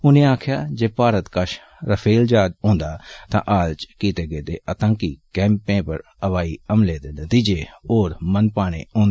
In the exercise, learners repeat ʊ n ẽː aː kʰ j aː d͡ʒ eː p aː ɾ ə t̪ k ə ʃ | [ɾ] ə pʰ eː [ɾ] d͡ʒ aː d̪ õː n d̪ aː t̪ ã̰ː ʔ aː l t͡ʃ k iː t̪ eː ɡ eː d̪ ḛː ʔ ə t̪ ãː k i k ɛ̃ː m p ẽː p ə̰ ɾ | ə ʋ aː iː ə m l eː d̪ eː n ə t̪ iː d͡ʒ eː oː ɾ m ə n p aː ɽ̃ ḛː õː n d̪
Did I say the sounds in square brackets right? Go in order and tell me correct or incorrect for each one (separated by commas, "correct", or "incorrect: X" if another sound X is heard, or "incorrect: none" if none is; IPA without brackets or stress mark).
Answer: correct, incorrect: l